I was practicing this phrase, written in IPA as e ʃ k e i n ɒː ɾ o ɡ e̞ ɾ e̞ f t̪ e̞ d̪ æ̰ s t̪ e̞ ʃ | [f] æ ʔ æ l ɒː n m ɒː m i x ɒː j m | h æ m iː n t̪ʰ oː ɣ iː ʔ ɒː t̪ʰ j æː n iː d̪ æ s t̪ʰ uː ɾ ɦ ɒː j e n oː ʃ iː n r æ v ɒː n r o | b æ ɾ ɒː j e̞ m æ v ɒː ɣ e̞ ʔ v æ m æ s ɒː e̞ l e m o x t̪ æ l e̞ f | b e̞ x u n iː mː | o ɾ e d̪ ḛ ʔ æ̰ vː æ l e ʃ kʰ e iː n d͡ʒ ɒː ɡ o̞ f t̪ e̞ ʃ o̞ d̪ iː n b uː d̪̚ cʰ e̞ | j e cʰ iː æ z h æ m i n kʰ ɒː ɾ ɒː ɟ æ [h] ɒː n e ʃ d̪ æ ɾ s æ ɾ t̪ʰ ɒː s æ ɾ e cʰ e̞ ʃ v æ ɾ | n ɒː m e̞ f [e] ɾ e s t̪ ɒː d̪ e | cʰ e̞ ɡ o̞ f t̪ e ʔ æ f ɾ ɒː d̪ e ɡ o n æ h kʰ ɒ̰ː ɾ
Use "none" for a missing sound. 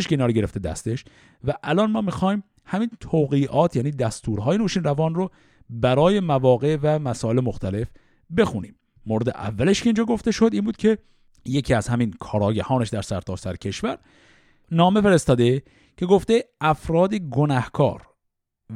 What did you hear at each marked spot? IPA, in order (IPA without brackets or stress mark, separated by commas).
v, h, e